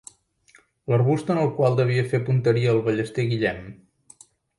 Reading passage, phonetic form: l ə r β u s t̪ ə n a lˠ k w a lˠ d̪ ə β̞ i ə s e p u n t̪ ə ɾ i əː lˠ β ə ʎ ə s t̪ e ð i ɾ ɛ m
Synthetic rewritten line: l ə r β u s t̪ ə n ə lˠ k w a lˠ d̪ ə β̞ i ə f e p u n t̪ ə ɾ i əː lˠ β ə ʎ ə s t̪ e ɣ i ʎ ɛ m